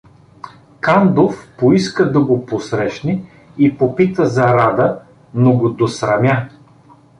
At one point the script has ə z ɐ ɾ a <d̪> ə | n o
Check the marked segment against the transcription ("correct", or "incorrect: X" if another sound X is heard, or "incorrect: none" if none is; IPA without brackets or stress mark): correct